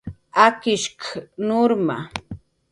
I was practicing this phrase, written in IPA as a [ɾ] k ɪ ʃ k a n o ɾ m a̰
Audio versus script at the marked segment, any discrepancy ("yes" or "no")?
yes